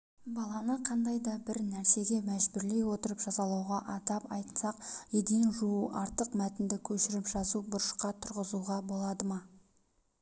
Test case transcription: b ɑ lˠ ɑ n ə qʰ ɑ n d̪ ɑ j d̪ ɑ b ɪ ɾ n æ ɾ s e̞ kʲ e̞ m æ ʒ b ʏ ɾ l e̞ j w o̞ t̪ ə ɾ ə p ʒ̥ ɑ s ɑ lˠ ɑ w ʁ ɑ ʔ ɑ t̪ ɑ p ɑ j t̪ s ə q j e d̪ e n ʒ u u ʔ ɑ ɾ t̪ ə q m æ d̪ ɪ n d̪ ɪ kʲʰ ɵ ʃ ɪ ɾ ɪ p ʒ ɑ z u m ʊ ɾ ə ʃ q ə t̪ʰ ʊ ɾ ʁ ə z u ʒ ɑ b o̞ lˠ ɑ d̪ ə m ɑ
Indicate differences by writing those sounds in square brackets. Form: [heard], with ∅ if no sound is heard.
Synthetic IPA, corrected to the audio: b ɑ lˠ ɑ n ə qʰ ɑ n d̪ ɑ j d̪ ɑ b ɪ ɾ n æ ɾ s e̞ [ɡʲ] e̞ m æ ʒ b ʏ ɾ l e̞ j w o̞ t̪ ə ɾ ə p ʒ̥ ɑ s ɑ lˠ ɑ w ʁ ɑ ʔ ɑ t̪ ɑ p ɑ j t̪ s [ɑ] q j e d̪ e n ʒ u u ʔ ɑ ɾ t̪ ə q m æ [t̪] ɪ n d̪ ɪ kʲʰ ɵ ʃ ɪ ɾ ɪ p ʒ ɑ z u [b] ʊ ɾ ə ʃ q [ɑ] t̪ʰ ʊ ɾ ʁ ə z u [ʁ] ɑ b o̞ lˠ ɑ d̪ ə m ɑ